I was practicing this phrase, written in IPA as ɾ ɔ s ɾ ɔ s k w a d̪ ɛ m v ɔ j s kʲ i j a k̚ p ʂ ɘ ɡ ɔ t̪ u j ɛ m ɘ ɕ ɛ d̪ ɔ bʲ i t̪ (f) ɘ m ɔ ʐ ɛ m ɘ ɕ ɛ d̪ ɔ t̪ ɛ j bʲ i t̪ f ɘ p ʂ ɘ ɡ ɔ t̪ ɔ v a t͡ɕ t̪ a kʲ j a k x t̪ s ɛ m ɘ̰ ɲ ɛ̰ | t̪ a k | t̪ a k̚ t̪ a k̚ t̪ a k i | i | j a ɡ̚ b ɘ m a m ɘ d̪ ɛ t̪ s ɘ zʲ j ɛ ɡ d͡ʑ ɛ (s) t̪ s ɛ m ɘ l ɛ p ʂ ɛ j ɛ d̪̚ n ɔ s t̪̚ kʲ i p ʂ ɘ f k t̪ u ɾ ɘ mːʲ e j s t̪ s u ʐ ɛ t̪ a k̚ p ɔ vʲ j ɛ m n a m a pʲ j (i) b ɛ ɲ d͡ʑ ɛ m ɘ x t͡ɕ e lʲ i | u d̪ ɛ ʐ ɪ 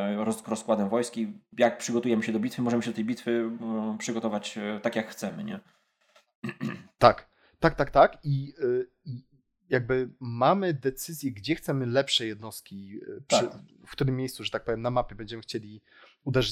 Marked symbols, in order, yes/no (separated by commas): yes, no, no